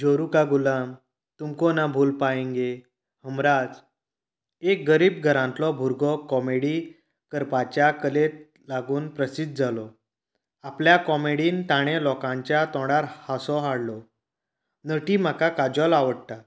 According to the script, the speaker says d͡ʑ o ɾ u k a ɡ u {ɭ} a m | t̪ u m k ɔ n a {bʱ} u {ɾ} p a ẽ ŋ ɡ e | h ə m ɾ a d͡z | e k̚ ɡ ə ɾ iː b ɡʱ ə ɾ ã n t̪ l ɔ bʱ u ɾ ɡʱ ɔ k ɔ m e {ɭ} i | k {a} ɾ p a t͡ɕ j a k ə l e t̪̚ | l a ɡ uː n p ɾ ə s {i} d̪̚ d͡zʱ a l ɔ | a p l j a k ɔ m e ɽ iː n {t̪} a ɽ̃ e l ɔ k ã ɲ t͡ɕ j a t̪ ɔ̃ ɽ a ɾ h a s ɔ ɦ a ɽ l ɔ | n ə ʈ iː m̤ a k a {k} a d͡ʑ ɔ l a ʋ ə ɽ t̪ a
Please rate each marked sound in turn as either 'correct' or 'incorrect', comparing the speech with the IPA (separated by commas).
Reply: incorrect, correct, incorrect, incorrect, incorrect, correct, correct, correct